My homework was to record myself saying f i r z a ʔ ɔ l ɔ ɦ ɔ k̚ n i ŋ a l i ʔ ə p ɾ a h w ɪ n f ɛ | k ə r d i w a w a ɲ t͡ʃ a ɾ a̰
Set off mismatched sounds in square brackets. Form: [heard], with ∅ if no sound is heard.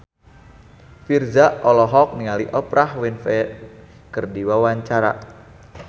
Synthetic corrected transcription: f i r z a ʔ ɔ l ɔ ɦ ɔ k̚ n i ŋ a l i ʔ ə p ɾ a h w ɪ n f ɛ | k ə r d i w a w a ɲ t͡ʃ a ɾ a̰